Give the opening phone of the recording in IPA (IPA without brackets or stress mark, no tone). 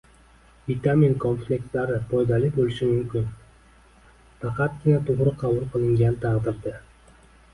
v